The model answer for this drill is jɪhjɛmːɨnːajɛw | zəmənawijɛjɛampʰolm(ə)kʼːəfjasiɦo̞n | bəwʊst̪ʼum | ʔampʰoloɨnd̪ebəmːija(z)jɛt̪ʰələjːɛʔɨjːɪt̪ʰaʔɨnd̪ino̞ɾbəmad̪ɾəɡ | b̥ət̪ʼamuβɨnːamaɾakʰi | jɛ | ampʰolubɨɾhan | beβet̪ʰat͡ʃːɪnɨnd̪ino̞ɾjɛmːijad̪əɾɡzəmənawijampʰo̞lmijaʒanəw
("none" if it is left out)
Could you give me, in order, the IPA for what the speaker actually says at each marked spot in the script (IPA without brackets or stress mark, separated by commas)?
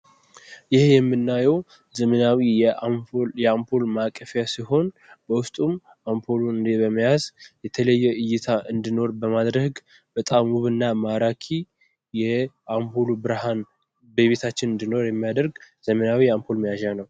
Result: a, z